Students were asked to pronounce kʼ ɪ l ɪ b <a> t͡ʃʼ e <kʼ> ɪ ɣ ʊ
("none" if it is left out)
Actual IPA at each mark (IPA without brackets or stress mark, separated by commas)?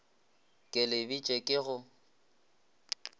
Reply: i, kʼ